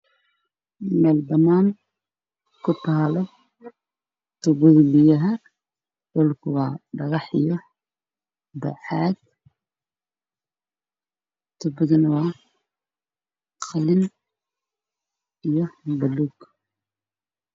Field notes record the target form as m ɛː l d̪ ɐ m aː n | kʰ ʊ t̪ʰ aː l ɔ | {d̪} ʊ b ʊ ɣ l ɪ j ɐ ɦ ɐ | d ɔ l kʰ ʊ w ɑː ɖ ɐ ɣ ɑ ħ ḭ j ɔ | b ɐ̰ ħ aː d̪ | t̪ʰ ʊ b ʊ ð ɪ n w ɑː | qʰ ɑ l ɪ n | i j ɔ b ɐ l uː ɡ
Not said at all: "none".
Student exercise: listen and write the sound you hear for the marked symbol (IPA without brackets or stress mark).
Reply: t̪